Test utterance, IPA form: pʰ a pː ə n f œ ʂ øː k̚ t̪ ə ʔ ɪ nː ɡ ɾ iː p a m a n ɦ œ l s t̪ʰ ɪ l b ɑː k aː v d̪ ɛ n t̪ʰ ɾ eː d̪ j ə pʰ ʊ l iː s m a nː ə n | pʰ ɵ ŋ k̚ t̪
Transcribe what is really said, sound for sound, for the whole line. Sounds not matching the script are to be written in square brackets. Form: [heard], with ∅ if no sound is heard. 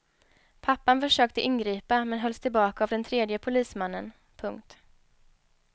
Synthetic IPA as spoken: pʰ a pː [a] n f œ ʂ øː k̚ t̪ ə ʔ ɪ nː ɡ ɾ iː p a m [ɛ] n ɦ œ l s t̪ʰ ɪ l b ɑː k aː v d̪ ɛ n t̪ʰ ɾ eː d̪ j ə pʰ ʊ l iː s m a nː ə n | pʰ ɵ ŋ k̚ t̪

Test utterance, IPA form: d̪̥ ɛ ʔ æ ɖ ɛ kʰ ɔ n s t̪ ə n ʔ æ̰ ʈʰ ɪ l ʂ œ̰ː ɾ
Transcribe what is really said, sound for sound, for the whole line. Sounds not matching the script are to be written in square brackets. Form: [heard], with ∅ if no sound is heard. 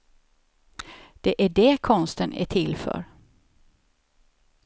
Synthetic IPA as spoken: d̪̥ ɛ ʔ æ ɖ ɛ kʰ ɔ n s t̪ ə n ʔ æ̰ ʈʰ ɪ l [f] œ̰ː ɾ

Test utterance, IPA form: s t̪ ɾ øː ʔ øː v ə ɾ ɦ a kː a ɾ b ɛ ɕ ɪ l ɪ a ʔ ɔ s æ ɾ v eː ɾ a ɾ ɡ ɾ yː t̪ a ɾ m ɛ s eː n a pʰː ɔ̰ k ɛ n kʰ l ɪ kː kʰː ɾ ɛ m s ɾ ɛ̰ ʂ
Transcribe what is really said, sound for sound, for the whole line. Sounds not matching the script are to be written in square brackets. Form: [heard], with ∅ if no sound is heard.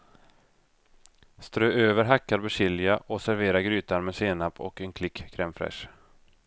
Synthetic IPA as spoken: s t̪ ɾ øː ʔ øː v ə ɾ ɦ a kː a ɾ b ɛ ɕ ɪ l ɪ a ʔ ɔ s æ ɾ v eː ɾ a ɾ ɡ ɾ yː t̪ a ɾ m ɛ s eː n a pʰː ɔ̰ k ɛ n kʰ l ɪ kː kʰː ɾ ɛ m [f] ɾ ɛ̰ ʂ

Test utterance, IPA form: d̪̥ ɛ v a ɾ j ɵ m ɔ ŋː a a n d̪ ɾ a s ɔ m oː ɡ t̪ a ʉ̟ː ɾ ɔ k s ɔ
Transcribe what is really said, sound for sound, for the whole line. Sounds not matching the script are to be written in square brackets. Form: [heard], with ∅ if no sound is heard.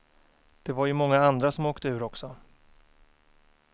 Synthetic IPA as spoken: d̪̥ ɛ v a ɾ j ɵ m ɔ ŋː a a n d̪ ɾ a s ɔ m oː [k] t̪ [ə] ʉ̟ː ɾ ɔ k s ɔ

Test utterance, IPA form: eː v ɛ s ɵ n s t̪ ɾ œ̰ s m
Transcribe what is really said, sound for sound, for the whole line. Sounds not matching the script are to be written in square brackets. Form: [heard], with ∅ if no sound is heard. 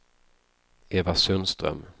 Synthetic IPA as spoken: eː v [a] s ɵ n s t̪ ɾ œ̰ [∅] m

